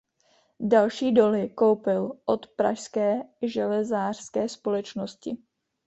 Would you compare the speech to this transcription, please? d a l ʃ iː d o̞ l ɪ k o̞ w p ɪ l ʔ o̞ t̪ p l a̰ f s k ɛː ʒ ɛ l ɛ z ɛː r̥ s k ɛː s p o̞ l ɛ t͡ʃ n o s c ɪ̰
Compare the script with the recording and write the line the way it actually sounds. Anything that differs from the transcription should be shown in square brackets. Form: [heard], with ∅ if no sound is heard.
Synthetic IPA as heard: d a l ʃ iː d o̞ l ɪ k o̞ w p ɪ l ʔ o̞ t̪ p [ɾ] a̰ [ʃ] s k ɛː ʒ ɛ l ɛ z [aː] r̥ s k ɛː s p o̞ l ɛ t͡ʃ n o s c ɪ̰